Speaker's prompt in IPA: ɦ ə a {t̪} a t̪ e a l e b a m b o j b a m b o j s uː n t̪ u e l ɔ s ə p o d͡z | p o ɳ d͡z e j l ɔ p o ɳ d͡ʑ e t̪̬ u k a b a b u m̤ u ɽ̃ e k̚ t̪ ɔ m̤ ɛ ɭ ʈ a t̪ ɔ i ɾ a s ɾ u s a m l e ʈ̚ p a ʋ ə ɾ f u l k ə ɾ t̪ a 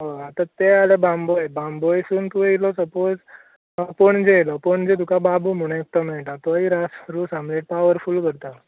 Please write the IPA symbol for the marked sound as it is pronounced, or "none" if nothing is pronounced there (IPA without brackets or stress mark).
t̪